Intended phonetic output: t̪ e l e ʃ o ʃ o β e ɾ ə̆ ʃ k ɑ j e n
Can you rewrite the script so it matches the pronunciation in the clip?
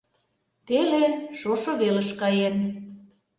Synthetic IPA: t̪ e l e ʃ o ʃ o β e l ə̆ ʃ k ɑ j e n